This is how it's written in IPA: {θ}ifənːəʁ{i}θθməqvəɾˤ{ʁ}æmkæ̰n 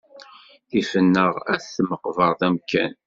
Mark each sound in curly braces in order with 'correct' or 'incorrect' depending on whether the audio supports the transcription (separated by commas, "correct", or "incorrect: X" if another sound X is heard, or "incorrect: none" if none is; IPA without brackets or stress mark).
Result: correct, incorrect: æ, incorrect: ð